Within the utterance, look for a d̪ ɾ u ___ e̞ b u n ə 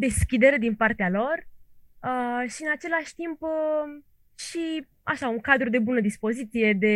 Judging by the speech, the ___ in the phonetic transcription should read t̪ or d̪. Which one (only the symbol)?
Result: d̪